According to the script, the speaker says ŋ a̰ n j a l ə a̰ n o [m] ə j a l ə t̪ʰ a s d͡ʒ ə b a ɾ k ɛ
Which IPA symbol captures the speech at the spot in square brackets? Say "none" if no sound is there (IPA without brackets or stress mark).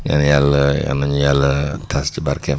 ɲ